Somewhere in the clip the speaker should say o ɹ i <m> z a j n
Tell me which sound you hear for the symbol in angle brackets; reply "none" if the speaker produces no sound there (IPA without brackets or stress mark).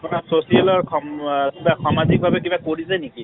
none